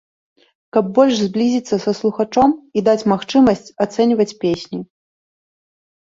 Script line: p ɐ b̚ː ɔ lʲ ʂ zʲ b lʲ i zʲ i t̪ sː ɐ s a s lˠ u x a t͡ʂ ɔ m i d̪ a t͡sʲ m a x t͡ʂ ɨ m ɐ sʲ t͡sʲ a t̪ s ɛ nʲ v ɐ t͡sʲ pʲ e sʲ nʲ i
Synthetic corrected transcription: k ɐ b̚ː ɔ lʲ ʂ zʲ b lʲ i zʲ i t̪ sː ɐ s ɐ s lˠ u x a t͡ʂ ɔ m i d̪ a t͡sʲ m a x t͡ʂ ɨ m ɐ sʲ t͡sʲ a t̪ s ɛ nʲ v ɐ t͡sʲ pʲ e sʲ nʲ i